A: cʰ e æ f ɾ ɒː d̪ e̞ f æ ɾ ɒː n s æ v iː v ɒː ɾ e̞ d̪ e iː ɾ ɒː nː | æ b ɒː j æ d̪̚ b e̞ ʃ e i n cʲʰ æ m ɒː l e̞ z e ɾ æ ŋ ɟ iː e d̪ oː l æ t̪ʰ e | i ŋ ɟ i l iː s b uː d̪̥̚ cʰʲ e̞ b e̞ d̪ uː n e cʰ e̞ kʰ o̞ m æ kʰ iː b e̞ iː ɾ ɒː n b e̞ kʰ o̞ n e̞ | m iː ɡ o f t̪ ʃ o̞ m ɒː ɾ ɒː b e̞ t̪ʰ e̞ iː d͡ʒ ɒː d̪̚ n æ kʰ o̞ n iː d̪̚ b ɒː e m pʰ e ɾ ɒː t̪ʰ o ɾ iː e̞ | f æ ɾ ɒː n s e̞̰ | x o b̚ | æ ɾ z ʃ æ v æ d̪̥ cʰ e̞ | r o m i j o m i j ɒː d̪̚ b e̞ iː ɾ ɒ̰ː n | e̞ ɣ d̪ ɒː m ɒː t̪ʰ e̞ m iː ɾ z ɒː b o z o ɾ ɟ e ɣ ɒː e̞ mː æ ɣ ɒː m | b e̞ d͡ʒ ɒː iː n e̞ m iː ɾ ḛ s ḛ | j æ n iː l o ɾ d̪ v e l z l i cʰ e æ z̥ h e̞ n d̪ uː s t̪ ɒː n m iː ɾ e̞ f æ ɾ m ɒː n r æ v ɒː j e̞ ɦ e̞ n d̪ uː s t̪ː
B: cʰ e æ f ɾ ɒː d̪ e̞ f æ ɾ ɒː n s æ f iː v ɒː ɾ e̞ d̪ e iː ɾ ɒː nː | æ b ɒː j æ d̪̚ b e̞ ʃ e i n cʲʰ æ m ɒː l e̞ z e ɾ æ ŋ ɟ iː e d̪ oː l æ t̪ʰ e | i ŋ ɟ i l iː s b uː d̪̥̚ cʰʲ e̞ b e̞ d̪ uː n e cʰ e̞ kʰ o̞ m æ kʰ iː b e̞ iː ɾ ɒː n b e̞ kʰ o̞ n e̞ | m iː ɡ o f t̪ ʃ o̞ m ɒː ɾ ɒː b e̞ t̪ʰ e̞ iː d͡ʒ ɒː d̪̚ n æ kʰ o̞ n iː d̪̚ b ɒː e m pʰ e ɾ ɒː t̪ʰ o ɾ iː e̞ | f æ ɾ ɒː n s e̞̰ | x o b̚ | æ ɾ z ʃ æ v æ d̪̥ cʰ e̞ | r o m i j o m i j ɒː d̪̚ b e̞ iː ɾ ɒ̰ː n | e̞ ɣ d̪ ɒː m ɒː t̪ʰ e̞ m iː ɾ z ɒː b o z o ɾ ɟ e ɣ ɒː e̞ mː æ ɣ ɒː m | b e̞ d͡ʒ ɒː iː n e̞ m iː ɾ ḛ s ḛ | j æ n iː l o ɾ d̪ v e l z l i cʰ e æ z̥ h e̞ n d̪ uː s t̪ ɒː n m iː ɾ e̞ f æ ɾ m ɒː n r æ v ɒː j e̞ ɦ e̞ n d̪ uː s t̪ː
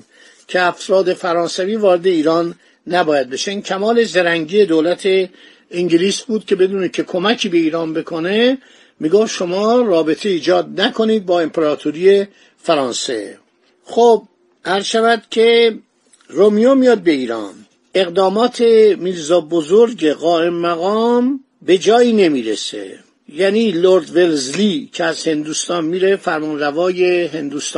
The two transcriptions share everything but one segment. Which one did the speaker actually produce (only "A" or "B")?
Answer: A